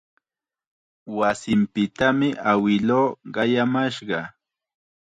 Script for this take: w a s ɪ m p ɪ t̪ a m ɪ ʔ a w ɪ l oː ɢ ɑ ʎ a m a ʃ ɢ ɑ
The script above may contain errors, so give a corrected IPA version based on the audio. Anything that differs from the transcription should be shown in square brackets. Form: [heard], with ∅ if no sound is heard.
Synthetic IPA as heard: w a s ɪ m p ɪ t̪ a m ɪ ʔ a w ɪ l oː ɢ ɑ [j] a m a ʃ ɢ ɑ